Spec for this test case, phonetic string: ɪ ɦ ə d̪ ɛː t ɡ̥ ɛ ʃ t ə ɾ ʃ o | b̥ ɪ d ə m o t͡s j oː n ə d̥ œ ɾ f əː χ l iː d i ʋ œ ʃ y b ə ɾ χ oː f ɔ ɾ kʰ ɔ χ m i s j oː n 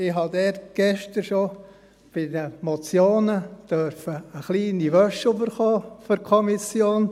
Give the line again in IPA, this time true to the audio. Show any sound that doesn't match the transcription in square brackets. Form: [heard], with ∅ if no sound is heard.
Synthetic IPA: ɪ ɦ [ɑ] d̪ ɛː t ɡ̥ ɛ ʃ t ə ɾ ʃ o | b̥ ɪ d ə m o t͡s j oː n ə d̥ œ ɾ f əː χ l iː [n] i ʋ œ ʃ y b ə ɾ χ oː f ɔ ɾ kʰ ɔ [∅] m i s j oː n